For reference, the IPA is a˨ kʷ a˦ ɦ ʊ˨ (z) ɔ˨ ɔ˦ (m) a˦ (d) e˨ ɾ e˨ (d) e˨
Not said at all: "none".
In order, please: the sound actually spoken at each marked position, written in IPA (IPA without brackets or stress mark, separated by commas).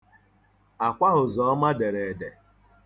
z, m, d, d